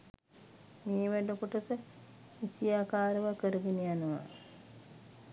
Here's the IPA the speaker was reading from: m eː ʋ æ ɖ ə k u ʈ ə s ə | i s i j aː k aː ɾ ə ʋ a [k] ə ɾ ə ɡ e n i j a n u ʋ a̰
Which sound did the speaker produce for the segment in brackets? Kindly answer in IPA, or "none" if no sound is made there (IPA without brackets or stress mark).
k